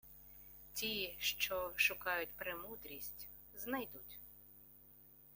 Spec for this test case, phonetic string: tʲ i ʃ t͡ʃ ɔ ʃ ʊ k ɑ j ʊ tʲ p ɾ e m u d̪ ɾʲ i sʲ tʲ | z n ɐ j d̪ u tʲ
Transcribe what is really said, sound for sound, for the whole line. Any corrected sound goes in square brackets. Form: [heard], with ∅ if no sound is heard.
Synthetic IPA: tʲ i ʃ t͡ʃ ɔ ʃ ʊ k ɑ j ʊ tʲ p ɾ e m u d̪ ɾʲ i sʲ tʲ | z n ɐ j d̪ u tʲ